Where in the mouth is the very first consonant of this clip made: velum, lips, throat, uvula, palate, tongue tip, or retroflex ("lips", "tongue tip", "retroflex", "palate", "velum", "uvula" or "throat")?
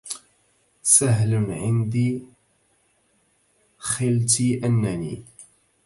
tongue tip